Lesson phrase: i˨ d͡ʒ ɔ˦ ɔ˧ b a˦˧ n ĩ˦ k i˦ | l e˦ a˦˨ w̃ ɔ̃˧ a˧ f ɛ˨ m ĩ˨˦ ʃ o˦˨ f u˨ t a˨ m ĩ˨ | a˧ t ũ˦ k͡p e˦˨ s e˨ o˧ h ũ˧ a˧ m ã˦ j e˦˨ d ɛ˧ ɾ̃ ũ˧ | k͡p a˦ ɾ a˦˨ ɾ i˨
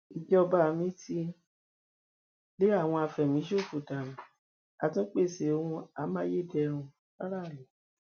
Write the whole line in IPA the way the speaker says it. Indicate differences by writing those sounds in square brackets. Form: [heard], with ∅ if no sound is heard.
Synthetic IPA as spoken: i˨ d͡ʒ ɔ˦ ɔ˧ b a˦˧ [m] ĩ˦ [t] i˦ | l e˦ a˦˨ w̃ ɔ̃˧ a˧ f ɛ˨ m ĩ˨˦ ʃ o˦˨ f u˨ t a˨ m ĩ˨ | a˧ t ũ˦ k͡p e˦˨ s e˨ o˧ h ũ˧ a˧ m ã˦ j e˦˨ d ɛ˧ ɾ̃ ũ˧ | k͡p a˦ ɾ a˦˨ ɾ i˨

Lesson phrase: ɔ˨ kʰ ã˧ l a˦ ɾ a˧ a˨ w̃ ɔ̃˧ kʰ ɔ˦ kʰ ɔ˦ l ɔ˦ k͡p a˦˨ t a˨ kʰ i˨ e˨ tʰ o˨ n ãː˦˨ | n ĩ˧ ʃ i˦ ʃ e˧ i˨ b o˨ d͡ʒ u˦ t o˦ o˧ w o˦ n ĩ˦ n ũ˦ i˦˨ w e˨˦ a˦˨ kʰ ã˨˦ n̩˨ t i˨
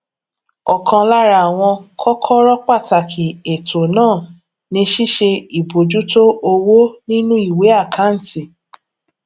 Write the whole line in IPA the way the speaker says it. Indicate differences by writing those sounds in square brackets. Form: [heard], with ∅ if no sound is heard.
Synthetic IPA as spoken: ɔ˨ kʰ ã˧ l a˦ ɾ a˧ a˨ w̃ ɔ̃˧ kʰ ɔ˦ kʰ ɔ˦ [ɾ] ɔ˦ k͡p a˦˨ t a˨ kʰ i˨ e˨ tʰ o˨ n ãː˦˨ | n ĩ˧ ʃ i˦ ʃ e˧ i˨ b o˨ d͡ʒ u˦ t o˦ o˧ w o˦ n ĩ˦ n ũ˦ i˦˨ w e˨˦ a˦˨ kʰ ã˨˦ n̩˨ t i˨

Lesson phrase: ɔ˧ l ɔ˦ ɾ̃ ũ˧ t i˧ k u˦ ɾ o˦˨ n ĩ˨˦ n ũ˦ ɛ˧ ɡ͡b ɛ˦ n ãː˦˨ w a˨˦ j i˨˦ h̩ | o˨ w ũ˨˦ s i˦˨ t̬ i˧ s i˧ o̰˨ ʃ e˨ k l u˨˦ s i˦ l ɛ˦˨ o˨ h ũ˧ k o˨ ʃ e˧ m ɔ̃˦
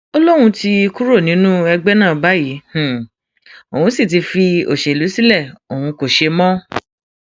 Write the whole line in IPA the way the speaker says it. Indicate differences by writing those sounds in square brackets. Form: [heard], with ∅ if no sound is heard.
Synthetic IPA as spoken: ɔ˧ l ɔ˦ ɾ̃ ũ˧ t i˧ k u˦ ɾ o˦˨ n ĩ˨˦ n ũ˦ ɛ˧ ɡ͡b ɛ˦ n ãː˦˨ [b] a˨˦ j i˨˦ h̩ | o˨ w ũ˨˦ s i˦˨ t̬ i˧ [f] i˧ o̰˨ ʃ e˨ [∅] l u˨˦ s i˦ l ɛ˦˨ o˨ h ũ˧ k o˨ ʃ e˧ m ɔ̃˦

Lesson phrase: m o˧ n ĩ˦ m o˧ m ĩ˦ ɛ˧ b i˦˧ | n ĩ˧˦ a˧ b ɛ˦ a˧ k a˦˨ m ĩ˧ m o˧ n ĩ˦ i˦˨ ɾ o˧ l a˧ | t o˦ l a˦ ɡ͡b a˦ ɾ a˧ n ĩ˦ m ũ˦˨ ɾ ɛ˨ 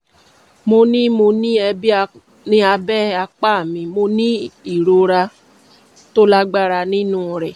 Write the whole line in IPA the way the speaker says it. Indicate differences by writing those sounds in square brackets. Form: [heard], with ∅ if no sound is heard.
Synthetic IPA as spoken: m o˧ n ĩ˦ m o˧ [n] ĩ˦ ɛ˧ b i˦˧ | n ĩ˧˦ a˧ b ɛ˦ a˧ [k͡p] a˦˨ m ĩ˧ m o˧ n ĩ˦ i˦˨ ɾ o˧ [ɾ] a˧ | t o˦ l a˦ ɡ͡b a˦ ɾ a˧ n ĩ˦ [n] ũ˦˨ ɾ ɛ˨

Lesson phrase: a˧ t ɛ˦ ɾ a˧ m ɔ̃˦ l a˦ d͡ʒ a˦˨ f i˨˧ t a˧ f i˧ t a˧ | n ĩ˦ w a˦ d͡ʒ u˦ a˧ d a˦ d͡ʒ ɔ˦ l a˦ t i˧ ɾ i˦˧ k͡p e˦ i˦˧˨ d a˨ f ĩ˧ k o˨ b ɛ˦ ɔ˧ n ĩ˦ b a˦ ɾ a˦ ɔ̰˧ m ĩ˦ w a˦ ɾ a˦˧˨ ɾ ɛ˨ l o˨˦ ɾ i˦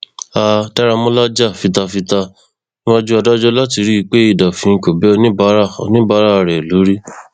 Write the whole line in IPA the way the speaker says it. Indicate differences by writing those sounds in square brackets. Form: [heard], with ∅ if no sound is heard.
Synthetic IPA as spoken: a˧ t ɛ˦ ɾ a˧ m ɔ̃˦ l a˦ d͡ʒ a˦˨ f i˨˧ t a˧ f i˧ t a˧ | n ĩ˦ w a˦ d͡ʒ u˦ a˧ d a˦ d͡ʒ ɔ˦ l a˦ t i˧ ɾ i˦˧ k͡p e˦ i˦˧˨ d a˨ f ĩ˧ k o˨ b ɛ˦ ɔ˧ n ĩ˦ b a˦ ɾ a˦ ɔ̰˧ [n] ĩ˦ [b] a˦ ɾ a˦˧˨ ɾ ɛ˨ l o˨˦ ɾ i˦

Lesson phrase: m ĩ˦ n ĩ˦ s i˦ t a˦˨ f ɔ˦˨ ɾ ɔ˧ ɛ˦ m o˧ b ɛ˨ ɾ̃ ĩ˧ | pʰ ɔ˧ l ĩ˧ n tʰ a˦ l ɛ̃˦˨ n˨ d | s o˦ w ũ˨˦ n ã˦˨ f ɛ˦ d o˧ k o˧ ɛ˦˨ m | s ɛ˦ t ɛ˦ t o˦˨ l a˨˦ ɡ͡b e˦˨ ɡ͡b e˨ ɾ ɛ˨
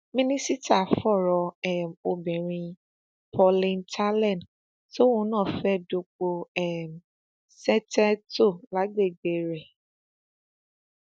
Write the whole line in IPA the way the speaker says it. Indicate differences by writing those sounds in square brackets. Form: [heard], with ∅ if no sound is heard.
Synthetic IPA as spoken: m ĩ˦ n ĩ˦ s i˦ t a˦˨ f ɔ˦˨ ɾ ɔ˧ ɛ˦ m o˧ b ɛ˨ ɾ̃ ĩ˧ | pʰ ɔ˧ l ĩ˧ n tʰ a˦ l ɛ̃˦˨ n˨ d | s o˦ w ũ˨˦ n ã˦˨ f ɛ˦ d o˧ [k͡p] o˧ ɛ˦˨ m | s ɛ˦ t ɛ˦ t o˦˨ l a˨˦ ɡ͡b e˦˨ ɡ͡b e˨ ɾ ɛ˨

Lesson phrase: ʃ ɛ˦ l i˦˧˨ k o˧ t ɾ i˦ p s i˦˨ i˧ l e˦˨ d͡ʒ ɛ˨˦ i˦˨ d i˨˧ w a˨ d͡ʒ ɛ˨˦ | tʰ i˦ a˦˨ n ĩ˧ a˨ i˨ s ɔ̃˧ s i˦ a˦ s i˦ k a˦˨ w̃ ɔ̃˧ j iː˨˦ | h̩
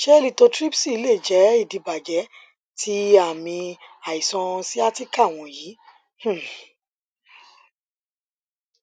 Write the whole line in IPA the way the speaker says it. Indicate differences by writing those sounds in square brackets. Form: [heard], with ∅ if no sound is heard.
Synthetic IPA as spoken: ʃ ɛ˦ l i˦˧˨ [t] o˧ t ɾ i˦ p s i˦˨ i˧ l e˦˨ d͡ʒ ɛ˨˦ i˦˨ d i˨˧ [b] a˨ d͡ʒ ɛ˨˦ | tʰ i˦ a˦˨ [m] ĩ˧ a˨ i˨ s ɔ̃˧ s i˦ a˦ [t] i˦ k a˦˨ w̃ ɔ̃˧ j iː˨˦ | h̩

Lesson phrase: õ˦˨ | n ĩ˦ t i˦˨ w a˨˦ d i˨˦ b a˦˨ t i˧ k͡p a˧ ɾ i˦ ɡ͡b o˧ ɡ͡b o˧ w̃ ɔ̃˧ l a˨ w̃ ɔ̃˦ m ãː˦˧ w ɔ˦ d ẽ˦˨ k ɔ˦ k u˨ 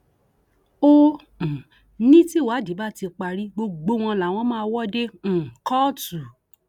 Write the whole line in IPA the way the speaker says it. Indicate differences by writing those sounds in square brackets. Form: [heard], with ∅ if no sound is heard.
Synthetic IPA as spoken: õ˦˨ | n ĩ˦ t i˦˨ w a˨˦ d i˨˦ b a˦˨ t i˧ k͡p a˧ ɾ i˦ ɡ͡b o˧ ɡ͡b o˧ w̃ ɔ̃˧ l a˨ w̃ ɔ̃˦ m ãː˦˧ w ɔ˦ d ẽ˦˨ k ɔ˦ [t] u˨

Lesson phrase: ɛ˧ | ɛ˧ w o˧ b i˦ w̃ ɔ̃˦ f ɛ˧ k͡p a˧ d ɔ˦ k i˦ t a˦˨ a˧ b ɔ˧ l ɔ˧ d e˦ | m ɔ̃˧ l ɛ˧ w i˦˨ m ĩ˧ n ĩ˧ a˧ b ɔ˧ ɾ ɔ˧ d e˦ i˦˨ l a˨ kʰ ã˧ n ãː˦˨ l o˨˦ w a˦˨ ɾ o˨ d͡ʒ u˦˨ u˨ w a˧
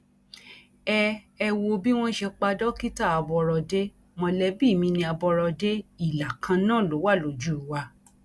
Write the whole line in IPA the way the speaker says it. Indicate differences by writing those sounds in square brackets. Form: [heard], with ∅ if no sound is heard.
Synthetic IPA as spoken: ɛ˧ | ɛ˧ w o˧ b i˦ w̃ ɔ̃˦ [ʃ] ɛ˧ k͡p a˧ d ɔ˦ k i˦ t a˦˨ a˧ b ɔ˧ [ɾ] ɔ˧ d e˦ | m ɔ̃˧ l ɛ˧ [b] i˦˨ m ĩ˧ n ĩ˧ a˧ b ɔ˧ ɾ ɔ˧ d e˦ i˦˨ l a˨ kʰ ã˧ n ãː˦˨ l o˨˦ w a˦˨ [l] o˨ d͡ʒ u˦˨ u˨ w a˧

